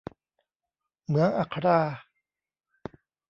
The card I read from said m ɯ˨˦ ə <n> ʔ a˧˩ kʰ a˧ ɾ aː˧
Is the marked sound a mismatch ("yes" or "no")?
yes